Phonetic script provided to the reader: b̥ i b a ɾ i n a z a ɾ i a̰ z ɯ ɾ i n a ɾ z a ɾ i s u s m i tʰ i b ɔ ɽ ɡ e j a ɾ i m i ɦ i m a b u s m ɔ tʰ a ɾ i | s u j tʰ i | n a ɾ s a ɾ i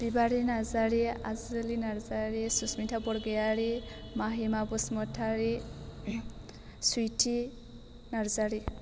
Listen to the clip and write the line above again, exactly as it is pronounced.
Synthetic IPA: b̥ i b a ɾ i n a z a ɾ i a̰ z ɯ l i n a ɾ z a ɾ i s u s m i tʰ a b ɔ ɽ ɡ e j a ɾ i m a ɦ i m a b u s m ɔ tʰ a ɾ i | s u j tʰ i | n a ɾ z a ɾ i